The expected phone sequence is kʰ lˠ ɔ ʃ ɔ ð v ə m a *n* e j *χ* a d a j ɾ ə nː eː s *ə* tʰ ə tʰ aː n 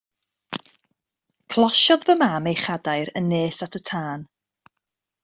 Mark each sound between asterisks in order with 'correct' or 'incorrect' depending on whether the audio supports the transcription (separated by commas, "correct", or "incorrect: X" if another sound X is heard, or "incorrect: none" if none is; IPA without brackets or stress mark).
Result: incorrect: m, correct, incorrect: a